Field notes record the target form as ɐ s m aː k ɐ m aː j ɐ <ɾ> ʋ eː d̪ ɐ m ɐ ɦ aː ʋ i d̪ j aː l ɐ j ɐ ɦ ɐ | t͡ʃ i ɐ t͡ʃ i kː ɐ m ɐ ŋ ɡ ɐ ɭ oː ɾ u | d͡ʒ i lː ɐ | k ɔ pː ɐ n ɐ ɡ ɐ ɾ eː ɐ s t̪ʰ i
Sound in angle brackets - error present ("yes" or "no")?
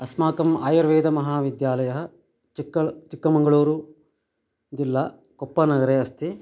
no